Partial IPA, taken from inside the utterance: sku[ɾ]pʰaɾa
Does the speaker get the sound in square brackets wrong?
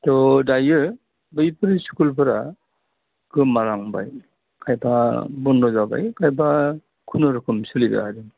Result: yes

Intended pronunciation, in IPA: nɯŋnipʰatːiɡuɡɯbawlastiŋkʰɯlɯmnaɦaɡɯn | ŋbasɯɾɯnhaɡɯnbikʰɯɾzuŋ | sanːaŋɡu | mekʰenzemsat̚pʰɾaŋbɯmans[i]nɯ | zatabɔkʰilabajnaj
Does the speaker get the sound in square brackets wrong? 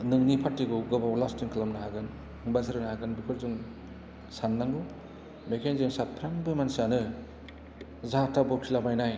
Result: yes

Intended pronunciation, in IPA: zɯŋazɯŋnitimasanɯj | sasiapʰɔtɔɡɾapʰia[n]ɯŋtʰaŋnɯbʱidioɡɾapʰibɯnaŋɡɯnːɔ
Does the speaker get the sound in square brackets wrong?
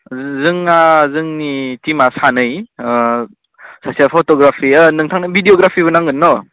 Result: no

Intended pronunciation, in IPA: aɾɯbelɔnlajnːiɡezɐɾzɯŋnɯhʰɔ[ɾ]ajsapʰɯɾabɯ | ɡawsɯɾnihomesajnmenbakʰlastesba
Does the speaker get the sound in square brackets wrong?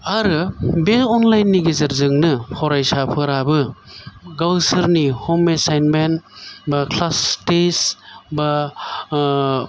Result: no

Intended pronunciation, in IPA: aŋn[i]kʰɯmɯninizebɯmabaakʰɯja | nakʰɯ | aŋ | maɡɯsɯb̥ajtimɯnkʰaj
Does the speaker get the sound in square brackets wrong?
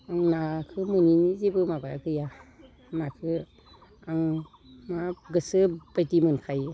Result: yes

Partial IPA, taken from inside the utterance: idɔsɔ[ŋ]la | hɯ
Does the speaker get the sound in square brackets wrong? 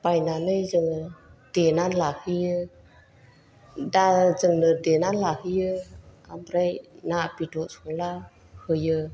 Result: no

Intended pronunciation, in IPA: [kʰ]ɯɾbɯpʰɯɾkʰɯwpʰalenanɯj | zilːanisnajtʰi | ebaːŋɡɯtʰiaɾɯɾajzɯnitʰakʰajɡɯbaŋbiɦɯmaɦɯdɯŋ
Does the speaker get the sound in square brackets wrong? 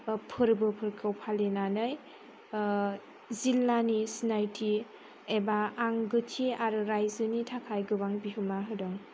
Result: yes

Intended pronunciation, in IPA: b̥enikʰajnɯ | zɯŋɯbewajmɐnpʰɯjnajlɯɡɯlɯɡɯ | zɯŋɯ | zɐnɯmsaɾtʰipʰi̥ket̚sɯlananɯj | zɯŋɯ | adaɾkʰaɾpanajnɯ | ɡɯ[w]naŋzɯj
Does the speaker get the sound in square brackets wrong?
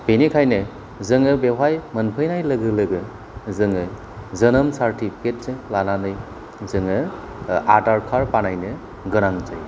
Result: yes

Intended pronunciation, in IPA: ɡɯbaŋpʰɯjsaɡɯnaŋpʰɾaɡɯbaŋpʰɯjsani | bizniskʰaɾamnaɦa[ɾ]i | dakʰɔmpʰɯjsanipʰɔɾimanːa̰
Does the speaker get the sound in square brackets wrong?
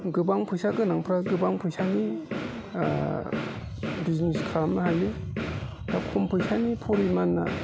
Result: yes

